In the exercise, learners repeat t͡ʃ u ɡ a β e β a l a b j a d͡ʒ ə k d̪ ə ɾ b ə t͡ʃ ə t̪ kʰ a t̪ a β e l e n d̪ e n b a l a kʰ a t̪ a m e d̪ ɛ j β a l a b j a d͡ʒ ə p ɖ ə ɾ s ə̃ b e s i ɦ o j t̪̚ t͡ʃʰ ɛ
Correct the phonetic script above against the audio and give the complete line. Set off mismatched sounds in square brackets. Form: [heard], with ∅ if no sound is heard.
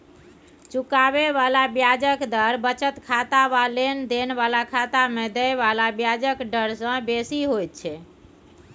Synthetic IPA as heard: t͡ʃ u [k] a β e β a l a b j a d͡ʒ ə k d̪ ə ɾ b ə t͡ʃ ə t̪ kʰ a t̪ a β [a] l e n d̪ e n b a l a kʰ a t̪ a m e d̪ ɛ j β a l a b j a d͡ʒ ə [k] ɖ ə ɾ s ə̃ b e s i ɦ o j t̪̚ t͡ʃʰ ɛ